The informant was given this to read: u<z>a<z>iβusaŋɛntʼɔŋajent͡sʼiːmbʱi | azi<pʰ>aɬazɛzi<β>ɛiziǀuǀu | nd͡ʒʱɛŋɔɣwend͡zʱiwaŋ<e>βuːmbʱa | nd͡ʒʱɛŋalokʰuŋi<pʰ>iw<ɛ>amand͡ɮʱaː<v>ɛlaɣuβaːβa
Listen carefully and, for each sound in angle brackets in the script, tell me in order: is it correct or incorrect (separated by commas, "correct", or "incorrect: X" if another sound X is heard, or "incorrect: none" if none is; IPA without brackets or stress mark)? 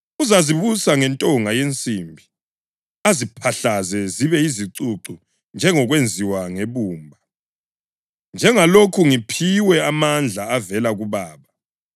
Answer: correct, correct, correct, correct, correct, correct, correct, correct